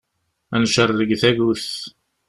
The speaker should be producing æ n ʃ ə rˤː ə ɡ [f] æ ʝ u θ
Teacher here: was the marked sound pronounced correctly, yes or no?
no